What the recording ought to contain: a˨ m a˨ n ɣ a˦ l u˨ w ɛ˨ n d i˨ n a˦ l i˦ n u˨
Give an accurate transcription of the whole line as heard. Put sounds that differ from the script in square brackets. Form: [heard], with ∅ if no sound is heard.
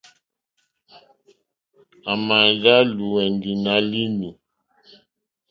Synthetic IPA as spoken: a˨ m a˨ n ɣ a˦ l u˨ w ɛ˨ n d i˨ n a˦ l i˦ n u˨